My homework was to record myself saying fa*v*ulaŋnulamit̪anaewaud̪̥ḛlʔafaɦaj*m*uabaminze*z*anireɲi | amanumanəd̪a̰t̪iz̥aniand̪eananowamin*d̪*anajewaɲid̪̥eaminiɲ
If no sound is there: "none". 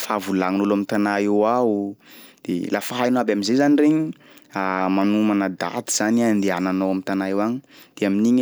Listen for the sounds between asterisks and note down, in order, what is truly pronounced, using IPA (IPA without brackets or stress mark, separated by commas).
v, n, z, t̪